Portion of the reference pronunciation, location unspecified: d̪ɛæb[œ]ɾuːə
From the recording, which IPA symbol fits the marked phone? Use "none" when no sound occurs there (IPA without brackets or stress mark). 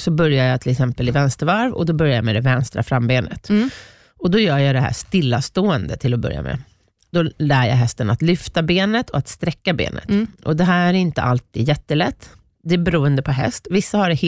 ɛ